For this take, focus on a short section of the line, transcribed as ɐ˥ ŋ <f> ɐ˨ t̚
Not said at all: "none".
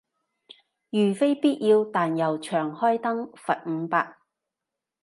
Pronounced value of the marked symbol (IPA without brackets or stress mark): f